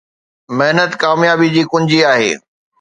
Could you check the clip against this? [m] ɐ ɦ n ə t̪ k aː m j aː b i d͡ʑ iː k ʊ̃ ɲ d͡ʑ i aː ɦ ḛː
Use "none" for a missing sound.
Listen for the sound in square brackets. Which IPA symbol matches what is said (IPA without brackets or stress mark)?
m